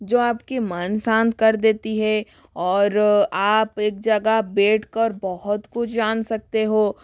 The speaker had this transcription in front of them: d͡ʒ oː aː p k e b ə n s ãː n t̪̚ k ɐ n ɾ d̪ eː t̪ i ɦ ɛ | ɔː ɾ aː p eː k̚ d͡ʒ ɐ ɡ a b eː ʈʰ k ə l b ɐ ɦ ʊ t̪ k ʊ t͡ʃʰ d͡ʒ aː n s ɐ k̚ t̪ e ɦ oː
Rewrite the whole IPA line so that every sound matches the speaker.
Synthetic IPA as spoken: d͡ʒ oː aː p k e m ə n s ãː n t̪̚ k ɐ ɾ d̪ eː t̪ i ɦ ɛ | ɔː ɾ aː p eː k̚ d͡ʒ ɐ ɡ a b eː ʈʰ k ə ɾ b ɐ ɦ ʊ t̪ k ʊ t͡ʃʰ d͡ʒ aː n s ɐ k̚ t̪ e ɦ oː